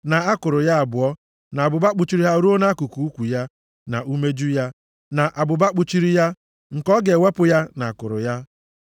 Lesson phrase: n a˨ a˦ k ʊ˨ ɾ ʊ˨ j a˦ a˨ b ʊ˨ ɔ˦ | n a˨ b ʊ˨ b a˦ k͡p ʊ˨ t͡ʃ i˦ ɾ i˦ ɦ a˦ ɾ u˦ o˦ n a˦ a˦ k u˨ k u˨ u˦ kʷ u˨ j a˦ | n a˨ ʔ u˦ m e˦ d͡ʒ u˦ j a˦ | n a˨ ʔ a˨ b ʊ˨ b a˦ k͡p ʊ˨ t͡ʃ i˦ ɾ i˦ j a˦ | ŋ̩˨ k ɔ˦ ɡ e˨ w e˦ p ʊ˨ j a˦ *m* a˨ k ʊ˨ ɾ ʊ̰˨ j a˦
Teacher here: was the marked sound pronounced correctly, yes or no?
no